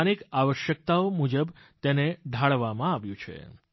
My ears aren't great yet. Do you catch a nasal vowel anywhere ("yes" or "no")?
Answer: yes